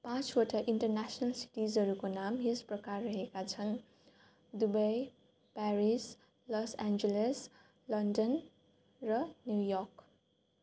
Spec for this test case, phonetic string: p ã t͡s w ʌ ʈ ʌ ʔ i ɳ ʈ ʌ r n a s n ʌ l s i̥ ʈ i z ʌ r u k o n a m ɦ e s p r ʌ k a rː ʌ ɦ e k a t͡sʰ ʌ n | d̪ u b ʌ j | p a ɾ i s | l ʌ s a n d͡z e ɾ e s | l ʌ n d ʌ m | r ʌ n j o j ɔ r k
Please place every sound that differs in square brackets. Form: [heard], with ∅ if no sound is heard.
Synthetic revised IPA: p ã t͡s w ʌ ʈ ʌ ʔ i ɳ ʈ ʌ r n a s n ʌ l s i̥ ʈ i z ʌ [ɾ] u k o n a m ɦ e s p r ʌ k a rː ʌ ɦ e k a t͡sʰ ʌ n | d̪ u b ʌ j | p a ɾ i s | l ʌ s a n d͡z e [l] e s | l ʌ n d ʌ [n] | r ʌ n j [u] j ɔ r k